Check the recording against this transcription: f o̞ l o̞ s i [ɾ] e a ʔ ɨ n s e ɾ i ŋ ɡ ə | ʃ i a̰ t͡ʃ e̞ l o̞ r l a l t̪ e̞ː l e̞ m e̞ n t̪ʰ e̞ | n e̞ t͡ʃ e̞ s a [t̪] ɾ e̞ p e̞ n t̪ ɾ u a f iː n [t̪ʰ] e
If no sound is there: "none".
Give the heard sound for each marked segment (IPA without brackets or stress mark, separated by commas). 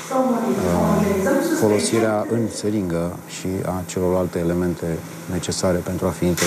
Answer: ɾ, none, t̪